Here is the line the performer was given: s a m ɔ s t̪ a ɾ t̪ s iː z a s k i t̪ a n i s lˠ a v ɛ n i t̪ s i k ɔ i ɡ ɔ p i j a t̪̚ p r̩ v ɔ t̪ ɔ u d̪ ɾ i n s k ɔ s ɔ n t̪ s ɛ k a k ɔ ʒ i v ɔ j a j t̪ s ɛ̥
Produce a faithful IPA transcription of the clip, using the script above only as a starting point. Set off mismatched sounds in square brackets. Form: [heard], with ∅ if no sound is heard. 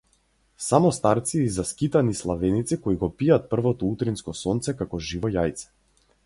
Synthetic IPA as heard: s a m ɔ s t̪ a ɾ t̪ s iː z a s k i t̪ a n i s lˠ a v ɛ n i t̪ s i k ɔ i ɡ ɔ p i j a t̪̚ p r̩ v ɔ t̪ ɔ u [t̪] ɾ i n s k ɔ s ɔ n t̪ s ɛ k a k ɔ ʒ i v ɔ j a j t̪ s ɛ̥